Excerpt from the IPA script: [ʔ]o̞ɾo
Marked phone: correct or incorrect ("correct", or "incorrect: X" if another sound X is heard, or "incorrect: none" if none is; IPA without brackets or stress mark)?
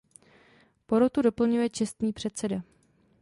incorrect: p